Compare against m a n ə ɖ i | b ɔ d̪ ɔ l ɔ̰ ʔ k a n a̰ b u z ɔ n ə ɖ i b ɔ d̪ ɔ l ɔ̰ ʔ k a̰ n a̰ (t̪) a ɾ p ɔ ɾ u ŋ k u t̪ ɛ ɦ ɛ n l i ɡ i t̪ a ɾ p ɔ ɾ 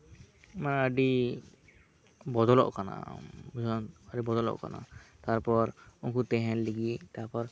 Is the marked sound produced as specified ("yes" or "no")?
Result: yes